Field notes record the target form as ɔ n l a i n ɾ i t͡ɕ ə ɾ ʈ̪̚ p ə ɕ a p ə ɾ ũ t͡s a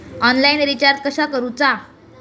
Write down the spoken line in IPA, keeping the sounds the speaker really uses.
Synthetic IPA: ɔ n l a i n ɾ i t͡ɕ a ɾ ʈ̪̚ k ə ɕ a k ə ɾ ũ t͡s a